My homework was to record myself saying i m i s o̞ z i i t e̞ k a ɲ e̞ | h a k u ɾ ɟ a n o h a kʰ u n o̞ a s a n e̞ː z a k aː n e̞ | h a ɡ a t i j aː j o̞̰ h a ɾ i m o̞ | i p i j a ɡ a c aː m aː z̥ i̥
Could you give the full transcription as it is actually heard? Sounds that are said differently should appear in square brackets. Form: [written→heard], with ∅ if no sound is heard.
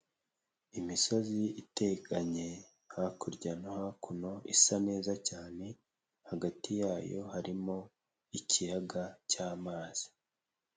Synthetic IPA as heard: i m i s o̞ z i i t e̞ k a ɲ e̞ | h a k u ɾ ɟ a n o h a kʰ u n o̞ [a→i] s a n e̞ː z a [k→c] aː n e̞ | h a ɡ a t i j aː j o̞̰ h a ɾ i m o̞ | i [p→c] i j a ɡ a c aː m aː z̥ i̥